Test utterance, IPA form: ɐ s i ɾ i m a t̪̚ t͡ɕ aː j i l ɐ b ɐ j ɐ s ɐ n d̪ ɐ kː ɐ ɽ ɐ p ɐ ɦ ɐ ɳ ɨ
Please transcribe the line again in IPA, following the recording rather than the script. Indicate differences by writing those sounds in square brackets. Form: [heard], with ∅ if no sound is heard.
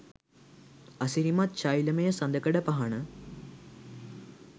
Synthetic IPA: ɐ s i ɾ i m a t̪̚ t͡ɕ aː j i l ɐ [m] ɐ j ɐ s ɐ n d̪ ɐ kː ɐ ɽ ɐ p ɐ ɦ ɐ ɳ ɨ